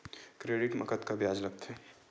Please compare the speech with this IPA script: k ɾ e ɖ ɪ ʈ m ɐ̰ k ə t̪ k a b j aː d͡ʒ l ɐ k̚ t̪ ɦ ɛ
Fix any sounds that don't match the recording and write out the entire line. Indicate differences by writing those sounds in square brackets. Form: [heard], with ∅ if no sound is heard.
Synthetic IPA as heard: k ɾ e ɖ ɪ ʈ m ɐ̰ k ə t̪ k a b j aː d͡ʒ l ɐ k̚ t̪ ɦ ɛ